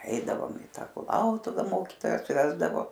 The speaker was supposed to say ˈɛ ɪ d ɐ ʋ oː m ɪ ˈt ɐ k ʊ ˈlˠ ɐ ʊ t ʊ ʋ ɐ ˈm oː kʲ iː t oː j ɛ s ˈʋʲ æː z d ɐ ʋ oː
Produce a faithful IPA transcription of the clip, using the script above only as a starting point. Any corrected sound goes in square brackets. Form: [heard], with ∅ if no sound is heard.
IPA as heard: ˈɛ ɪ d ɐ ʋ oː m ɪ ˈt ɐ k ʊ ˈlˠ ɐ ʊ t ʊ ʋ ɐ ˈm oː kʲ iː t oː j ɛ s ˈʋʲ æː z d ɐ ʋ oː